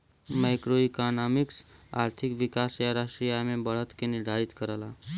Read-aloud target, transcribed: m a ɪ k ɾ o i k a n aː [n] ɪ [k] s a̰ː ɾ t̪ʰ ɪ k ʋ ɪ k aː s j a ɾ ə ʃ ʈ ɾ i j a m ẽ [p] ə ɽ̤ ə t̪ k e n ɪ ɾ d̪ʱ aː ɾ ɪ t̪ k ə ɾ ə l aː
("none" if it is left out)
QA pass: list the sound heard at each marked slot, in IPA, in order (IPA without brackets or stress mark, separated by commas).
m, k, b